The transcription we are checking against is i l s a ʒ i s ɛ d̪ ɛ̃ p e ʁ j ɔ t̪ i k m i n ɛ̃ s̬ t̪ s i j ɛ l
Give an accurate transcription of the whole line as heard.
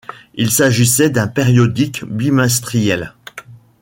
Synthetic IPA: i l s a ʒ i s ɛ d̪ ɛ̃ p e ʁ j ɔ d̪ i k b i m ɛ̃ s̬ t̪ χ i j ɛ l

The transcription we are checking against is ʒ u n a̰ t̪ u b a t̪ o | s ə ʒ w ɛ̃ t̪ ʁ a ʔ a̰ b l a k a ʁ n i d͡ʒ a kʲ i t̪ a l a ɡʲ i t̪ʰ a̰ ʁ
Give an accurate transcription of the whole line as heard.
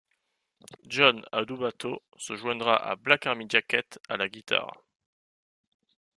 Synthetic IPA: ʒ ɔ n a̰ d̪ u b a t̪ o | s ə ʒ w ɛ̃ d̪ ʁ a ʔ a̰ b l a k a ʁ m i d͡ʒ a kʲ ɛ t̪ a l a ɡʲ i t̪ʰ a̰ ʁ

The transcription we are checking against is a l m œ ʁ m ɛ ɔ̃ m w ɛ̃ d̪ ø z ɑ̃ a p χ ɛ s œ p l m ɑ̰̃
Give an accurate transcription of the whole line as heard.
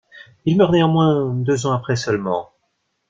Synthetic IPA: i l m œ ʁ n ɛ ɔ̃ m w ɛ̃ d̪ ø z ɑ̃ a p χ ɛ s œ l m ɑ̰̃

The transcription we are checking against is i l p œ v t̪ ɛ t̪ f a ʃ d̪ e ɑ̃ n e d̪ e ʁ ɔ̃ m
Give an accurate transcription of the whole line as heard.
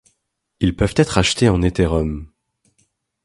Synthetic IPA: i l p œ v t̪ ɛ t̪ χ a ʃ t̪ e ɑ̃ n e t̪ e ʁ ɔ m

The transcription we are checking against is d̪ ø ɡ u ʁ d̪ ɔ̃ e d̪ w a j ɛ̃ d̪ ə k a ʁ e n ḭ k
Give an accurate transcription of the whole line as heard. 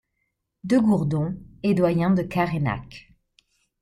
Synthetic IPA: d̪ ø ɡ u ʁ d̪ ɔ̃ e d̪ w a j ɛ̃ d̪ ə k a ʁ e n a̰ k

